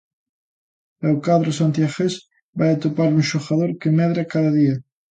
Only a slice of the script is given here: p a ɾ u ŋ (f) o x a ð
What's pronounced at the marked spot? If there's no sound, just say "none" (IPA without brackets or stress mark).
ʃ